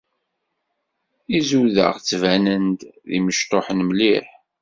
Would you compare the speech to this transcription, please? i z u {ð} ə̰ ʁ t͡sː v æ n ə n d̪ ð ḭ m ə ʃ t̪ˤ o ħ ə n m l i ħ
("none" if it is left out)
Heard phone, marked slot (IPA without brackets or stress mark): ð